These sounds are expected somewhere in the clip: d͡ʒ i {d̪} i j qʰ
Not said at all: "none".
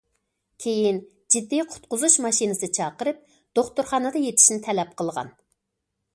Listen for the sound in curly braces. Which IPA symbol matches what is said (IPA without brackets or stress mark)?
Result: d̪ː